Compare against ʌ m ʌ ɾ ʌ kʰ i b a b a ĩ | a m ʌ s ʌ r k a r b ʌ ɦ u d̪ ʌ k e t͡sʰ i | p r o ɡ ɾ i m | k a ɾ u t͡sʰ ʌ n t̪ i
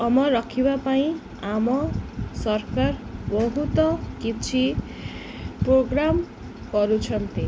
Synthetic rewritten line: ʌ m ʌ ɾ ʌ kʰ i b a p a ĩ | a m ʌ s ʌ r k a r b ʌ ɦ u t̪ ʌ k i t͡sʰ i | p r o ɡ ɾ a m | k ʌ ɾ u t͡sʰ ʌ n t̪ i